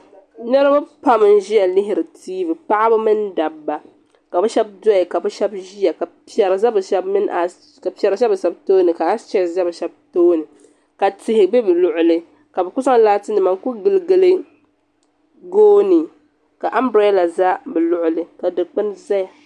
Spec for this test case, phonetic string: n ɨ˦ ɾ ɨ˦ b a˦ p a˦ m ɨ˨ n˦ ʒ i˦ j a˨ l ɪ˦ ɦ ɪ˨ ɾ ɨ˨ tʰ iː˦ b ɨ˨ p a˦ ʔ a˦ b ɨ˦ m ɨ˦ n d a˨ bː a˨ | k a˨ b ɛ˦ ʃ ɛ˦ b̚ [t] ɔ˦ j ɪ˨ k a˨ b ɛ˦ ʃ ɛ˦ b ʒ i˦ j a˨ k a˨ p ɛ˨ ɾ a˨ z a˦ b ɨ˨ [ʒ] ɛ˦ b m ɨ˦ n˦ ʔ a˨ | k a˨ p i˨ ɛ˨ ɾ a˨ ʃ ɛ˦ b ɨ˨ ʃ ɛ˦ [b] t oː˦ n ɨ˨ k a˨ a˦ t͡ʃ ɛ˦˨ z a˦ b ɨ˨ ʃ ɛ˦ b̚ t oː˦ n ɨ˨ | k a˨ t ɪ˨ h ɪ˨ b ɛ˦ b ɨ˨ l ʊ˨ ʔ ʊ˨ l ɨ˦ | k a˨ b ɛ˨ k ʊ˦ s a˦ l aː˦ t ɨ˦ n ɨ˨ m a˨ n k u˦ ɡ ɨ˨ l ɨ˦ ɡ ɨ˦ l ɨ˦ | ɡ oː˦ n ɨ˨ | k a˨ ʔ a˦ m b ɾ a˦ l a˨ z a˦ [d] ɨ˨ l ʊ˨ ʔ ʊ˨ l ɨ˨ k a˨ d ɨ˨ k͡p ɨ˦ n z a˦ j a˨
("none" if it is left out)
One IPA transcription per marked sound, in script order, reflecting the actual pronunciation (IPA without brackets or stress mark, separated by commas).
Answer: d, ʃ, b, b